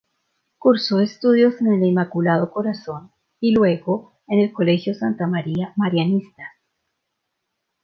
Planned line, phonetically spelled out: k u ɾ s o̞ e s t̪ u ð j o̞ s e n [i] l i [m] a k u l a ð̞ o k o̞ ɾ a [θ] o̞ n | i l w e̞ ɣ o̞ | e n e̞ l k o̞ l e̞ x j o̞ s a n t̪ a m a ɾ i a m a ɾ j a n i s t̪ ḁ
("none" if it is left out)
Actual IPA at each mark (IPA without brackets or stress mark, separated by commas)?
e, m, s